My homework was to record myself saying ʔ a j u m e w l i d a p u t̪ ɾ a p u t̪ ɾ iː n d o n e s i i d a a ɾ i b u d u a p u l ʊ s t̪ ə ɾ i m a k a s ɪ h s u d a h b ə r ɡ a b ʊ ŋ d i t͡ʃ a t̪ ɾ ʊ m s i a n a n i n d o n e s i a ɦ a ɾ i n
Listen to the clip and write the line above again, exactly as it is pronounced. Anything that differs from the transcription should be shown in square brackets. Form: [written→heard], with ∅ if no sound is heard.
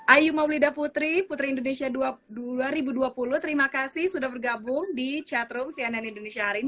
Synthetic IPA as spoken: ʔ a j u m [e→a] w l i d a p u t̪ ɾ [a→i] p u t̪ ɾ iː n d o n e s i [i→a] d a a ɾ i b u d u a p u l ʊ [s→h] t̪ ə ɾ i m a k a s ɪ h s u d a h b ə r ɡ a b ʊ ŋ d i t͡ʃ a t̪ ɾ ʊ m s i a n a n i n d o n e s i a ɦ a ɾ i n

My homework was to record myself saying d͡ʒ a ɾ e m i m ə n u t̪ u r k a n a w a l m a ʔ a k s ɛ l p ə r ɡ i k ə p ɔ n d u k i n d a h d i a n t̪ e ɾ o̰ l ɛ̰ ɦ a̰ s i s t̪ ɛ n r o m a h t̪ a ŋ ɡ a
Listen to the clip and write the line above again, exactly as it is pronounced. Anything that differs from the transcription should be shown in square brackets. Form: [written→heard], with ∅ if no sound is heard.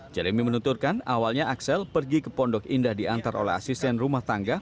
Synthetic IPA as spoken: d͡ʒ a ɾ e m i m ə n u t̪ u r k a n a w a l [m→ɲ] a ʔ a k s ɛ l p ə r ɡ i k ə p ɔ n d [u→ɔ] k i n d a h d i a n t̪ [e→a] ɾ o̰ l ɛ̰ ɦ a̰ s i s t̪ ɛ n r [o→u] m a h t̪ a ŋ ɡ a

